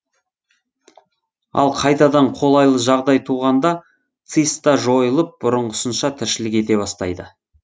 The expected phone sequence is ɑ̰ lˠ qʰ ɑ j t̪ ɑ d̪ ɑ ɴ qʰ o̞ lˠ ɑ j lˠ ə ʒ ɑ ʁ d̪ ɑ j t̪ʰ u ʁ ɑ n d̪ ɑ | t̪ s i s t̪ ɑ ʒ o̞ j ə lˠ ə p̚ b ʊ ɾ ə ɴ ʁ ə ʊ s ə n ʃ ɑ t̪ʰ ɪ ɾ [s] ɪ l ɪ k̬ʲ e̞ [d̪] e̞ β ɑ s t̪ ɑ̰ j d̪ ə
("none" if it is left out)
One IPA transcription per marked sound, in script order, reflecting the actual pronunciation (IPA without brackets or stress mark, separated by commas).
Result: ʃ, t̪